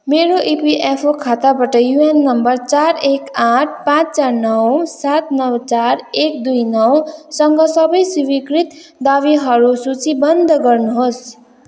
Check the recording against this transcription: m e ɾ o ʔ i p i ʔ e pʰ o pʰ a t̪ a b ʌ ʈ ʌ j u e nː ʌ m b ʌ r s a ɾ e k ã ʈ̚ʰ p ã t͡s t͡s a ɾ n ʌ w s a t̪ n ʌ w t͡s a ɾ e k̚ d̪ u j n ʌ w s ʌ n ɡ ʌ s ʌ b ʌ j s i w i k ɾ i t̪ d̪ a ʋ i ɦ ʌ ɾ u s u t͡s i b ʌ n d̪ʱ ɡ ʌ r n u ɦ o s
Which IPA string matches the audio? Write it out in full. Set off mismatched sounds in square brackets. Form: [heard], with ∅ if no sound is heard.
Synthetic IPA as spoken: m e ɾ o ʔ i p i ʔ e pʰ o [kʰ] a t̪ a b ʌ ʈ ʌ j u e nː ʌ m b ʌ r [t͡s] a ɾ e k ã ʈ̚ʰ p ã t͡s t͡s a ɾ n ʌ w s a t̪ n ʌ w t͡s a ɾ e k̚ d̪ u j n ʌ w s ʌ [ŋ] ɡ ʌ s ʌ b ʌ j s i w i k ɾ i t̪ d̪ a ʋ i ɦ ʌ ɾ u s u t͡s i b ʌ n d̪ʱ ɡ ʌ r n u ɦ o s